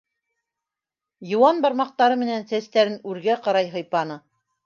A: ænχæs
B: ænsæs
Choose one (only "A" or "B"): B